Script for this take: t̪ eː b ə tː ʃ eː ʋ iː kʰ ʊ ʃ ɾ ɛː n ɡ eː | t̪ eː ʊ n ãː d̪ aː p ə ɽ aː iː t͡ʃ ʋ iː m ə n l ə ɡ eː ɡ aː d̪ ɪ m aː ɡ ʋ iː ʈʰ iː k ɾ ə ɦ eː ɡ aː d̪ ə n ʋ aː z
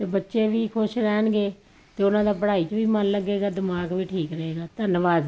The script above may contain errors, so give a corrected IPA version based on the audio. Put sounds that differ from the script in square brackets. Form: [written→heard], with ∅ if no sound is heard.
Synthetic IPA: t̪ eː b ə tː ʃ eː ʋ iː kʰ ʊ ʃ ɾ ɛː n ɡ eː | t̪ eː ʊ n ãː d̪ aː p ə ɽ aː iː t͡ʃ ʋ iː m ə n l ə ɡ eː ɡ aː d̪ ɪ m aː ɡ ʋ iː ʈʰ iː k ɾ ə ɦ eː ɡ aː [d̪→t̪] ə n ʋ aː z